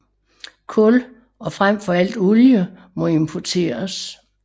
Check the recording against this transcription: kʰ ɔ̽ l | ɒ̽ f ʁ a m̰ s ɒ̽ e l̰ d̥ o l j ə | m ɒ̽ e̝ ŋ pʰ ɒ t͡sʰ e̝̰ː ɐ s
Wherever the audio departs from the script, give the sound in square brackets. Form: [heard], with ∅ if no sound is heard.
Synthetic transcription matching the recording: kʰ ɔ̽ l | ɒ̽ f ʁ a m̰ [f] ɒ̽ [æ] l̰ d̥ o l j ə | m ɒ̽ e̝ [m] pʰ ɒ t͡sʰ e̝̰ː ɐ s

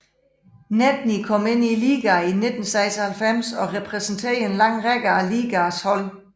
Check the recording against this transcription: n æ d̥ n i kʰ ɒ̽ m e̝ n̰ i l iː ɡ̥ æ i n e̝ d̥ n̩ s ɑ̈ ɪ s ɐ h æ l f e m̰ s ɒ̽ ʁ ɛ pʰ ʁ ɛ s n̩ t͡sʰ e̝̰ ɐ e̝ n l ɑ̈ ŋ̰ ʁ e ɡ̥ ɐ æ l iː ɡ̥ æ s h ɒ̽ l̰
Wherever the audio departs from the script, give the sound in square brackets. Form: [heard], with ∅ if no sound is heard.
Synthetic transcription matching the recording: n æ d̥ n i kʰ ɒ̽ m e̝ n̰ i l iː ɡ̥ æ i n e̝ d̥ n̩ s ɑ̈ ɪ s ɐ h æ l f e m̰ s ɒ̽ ʁ ɛ pʰ ʁ ɛ s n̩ t͡sʰ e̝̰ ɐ e̝ n l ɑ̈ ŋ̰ ʁ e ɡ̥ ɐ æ l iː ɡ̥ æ s h ɒ̽ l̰

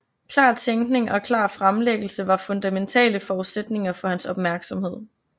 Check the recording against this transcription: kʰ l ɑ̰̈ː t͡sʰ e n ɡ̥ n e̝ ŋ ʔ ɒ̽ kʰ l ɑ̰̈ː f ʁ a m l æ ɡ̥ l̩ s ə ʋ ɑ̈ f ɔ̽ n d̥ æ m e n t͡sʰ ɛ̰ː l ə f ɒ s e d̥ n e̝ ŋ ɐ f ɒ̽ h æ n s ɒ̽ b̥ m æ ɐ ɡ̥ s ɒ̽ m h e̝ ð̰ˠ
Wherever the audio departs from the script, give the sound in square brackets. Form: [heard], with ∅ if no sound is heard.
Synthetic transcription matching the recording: kʰ l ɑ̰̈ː t͡sʰ e [ŋ] ɡ̥ n e̝ ŋ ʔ ɒ̽ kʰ l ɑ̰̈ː f ʁ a m l [e] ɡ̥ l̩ s ə ʋ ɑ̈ f ɔ̽ n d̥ æ m e n t͡sʰ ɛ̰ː l ə f ɒ s e d̥ n e̝ ŋ ɐ f ɒ̽ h æ n s ɒ̽ b̥ m æ ɐ ɡ̥ s ɒ̽ m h e̝ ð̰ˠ

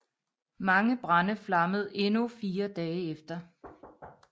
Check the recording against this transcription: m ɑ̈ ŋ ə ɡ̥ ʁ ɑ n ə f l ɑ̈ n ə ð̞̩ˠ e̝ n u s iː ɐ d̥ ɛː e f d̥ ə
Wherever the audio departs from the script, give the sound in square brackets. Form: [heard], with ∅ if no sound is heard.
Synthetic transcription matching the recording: m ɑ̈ ŋ ə [b̥] ʁ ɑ n ə f l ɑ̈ [m] ə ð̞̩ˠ e̝ n u [f] iː ɐ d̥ ɛː e f d̥ [ɐ]

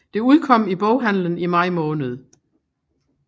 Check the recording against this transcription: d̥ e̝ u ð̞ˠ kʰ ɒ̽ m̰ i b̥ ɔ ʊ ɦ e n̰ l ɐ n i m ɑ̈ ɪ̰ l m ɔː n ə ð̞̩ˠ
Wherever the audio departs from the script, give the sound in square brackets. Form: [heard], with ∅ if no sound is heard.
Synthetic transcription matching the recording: d̥ e̝ u ð̞ˠ kʰ ɒ̽ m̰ i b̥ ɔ ʊ ɦ [æ] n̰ l [ə] n i m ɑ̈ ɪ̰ [∅] m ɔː n ə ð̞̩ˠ

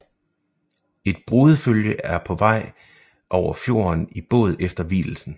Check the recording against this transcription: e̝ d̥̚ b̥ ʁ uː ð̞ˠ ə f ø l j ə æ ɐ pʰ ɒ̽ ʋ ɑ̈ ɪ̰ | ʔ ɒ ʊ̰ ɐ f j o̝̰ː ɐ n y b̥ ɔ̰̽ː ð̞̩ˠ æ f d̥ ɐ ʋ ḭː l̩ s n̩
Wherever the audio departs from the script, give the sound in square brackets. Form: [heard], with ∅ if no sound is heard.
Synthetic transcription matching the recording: e̝ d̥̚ b̥ ʁ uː ð̞ˠ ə f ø l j ə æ ɐ pʰ ɒ̽ ʋ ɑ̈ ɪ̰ | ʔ ɒ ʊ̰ ɐ f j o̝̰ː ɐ n [i] b̥ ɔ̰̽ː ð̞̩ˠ [e] f d̥ ɐ ʋ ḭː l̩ s n̩

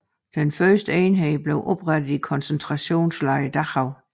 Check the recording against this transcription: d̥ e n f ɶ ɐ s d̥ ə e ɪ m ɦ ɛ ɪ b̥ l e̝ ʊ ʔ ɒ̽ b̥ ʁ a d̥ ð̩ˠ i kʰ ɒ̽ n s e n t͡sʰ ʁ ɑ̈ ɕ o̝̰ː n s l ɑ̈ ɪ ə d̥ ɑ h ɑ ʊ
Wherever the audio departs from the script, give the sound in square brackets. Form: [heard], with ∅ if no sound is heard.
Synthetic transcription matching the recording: d̥ e n f ɶ ɐ s d̥ ə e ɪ [n] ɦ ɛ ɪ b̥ l e̝ ʊ ʔ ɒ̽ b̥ ʁ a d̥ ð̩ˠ i kʰ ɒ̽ n s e n t͡sʰ ʁ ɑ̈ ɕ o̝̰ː n s l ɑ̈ ɪ ə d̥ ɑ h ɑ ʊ

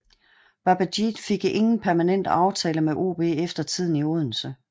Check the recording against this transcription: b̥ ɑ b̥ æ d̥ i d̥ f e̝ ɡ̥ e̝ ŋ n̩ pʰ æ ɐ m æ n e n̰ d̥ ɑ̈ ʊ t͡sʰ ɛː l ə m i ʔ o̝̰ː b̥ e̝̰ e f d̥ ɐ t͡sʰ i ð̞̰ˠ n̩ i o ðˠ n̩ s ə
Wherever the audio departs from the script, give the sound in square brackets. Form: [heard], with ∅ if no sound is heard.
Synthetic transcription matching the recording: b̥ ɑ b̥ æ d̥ i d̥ f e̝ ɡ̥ e̝ ŋ n̩ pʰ æ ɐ m æ n e n̰ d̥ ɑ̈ ʊ t͡sʰ ɛː l ə m [e] ʔ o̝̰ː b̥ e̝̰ e f d̥ ɐ t͡sʰ i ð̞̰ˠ n̩ i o ðˠ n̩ s ə

